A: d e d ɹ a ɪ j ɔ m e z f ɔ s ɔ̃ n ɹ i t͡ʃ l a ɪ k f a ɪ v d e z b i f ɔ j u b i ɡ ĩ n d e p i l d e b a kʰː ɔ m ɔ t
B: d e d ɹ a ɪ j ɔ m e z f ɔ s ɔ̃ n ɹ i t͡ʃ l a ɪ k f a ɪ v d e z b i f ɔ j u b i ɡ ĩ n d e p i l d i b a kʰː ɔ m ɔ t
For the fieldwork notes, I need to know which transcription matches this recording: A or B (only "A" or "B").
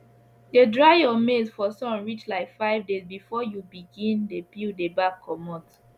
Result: A